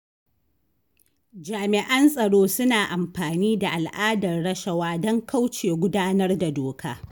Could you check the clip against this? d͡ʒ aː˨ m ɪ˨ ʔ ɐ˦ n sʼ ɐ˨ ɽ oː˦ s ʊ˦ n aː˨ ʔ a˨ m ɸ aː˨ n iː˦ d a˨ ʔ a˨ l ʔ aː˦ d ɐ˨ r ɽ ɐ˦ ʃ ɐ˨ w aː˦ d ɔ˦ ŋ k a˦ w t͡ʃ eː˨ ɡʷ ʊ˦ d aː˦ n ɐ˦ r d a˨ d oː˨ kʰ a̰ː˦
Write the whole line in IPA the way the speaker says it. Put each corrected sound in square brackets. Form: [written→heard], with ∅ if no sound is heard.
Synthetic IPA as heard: d͡ʒ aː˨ m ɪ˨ ʔ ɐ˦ n sʼ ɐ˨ ɽ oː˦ s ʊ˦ n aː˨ ʔ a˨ m ɸ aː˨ n iː˦ d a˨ ʔ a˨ l ʔ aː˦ d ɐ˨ r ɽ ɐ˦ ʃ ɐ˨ w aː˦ d ɔ˦ ŋ k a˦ w t͡ʃ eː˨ ɡʷ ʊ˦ d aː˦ n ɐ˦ r d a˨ d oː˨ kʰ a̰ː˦